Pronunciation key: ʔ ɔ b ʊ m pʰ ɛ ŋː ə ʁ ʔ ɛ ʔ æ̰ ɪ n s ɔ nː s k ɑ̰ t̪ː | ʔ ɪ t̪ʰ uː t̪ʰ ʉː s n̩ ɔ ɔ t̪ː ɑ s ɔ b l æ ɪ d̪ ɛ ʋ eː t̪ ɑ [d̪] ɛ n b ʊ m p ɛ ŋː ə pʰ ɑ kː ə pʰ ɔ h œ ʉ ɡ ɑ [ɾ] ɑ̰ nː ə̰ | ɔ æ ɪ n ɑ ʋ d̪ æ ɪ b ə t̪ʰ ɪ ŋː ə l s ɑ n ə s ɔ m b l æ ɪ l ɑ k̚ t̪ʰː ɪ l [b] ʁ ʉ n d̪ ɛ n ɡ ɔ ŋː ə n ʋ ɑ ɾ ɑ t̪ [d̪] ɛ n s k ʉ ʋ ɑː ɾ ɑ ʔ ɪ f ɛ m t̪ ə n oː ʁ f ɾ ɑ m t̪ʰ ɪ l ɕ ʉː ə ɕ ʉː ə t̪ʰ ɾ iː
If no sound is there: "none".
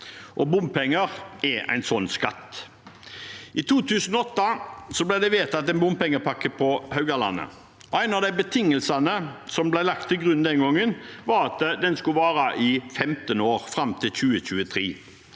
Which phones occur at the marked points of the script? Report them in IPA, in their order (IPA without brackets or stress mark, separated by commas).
t̪, l, ɡ, d̪